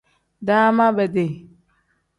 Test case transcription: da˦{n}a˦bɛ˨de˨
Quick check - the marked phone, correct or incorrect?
incorrect